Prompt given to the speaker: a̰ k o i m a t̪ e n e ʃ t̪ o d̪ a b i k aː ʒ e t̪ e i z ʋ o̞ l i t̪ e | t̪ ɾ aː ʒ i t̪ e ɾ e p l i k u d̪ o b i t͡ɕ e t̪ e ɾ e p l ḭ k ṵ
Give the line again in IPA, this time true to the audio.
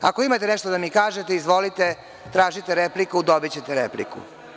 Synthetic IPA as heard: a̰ k o i m a t̪ e n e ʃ t̪ o d̪ a m i k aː ʒ e t̪ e i z ʋ o̞ l i t̪ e | t̪ ɾ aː ʒ i t̪ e ɾ e p l i k u d̪ o b i t͡ɕ e t̪ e ɾ e p l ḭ k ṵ